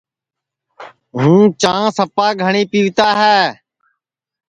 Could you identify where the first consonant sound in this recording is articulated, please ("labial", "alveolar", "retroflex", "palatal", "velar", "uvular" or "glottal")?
glottal